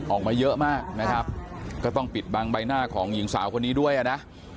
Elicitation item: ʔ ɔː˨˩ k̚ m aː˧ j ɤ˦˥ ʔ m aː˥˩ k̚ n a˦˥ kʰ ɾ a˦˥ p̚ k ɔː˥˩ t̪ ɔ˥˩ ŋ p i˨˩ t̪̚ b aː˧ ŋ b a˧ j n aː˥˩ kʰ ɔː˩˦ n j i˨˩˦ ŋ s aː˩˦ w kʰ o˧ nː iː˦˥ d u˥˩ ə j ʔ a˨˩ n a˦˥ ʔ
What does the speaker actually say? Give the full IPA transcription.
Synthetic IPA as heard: ʔ ɔː˨˩ k̚ m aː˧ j ɤ˦˥ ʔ m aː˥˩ k̚ n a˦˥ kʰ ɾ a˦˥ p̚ k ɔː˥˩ t̪ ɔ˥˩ ŋ p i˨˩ t̪̚ b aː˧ ŋ b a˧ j n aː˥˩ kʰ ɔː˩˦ ŋ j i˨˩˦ ŋ s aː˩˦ w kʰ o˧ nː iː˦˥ d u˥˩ ə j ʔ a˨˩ n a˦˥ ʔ

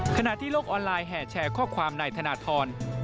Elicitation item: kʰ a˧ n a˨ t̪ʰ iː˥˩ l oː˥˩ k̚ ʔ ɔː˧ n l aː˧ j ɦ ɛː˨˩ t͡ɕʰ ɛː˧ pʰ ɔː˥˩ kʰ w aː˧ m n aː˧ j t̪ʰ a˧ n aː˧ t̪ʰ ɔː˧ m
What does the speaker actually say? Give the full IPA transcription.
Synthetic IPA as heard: kʰ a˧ n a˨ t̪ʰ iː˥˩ l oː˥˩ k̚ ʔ ɔː˧ n l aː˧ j ɦ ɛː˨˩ t͡ɕʰ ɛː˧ kʰ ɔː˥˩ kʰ w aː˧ m n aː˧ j t̪ʰ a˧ n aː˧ t̪ʰ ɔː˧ n

